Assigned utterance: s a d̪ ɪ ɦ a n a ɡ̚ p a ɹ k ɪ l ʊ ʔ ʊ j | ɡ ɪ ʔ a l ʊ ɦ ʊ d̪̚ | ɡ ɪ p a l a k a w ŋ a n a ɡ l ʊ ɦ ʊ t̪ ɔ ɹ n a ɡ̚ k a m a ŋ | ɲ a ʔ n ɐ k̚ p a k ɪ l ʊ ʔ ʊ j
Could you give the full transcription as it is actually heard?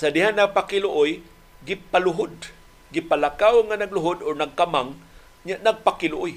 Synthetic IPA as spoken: s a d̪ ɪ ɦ a n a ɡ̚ p a k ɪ l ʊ ʔ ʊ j | ɡ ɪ p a l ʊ ɦ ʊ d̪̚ | ɡ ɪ p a l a k a w ŋ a n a ɡ l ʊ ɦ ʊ d̪ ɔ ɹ n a ɡ̚ k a m a ŋ | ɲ a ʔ n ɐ ɡ̚ p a k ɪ l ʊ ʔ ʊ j